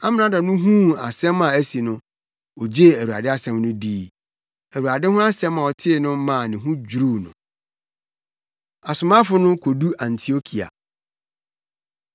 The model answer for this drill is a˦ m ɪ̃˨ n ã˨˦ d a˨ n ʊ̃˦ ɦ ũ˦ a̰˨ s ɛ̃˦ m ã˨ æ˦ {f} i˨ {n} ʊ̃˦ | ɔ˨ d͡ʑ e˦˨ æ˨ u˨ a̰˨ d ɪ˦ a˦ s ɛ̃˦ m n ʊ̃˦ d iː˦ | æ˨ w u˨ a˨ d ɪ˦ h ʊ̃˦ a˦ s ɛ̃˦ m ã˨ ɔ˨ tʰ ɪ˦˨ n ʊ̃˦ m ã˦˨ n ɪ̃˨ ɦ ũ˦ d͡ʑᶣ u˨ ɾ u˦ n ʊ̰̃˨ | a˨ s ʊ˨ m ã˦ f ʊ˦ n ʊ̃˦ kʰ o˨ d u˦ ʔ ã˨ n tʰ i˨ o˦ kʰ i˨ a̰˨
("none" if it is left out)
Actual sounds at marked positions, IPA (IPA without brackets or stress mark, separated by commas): s, n